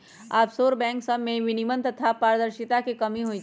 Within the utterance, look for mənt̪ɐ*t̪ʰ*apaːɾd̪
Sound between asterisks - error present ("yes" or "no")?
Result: no